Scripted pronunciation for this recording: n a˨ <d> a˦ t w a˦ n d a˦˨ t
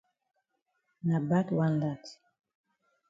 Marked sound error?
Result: yes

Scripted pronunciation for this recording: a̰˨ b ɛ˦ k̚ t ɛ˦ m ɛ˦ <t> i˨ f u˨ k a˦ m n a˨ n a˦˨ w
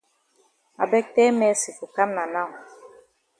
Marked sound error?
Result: yes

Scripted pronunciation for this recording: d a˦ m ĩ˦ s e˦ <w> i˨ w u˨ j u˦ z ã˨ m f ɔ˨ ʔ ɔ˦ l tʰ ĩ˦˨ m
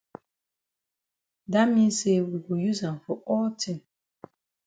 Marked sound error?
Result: no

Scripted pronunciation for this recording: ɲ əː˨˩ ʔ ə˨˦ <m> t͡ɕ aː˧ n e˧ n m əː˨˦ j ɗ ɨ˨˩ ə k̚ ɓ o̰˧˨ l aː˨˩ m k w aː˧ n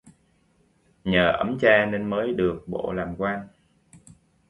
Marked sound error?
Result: no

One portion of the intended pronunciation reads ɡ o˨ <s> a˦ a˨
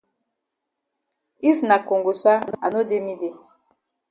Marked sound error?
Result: no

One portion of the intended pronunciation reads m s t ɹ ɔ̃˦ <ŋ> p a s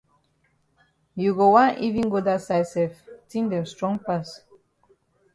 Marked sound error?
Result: no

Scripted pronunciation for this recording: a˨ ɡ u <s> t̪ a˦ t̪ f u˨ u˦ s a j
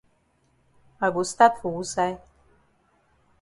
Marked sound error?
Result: no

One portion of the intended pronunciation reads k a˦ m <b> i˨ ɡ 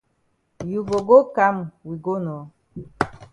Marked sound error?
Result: yes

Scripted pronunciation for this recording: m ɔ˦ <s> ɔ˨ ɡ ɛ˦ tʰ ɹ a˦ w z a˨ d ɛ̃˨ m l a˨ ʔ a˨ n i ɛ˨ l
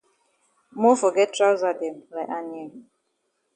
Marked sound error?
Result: yes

